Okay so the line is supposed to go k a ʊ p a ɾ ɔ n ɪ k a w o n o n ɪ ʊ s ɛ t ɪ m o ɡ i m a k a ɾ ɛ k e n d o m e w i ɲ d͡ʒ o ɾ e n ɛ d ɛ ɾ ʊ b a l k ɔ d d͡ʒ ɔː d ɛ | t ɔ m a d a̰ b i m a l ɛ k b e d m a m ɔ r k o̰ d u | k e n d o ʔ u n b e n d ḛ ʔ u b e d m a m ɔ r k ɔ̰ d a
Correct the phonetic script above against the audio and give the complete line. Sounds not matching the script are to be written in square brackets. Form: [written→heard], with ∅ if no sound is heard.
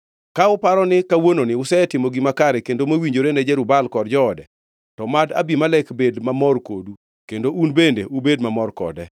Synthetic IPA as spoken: k a ʊ p a ɾ ɔ n ɪ k a w o n o n ɪ ʊ s ɛ t ɪ m o ɡ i m a k a ɾ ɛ k e n d o m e w i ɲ d͡ʒ o ɾ e n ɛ [d→d͡ʒ] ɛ ɾ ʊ b a l k ɔ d d͡ʒ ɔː d ɛ | t ɔ m a d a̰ b i m a l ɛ k b e d m a m ɔ r k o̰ d u | k e n d o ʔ u n b e n d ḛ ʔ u b e d m a m ɔ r k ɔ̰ d [a→ɛ]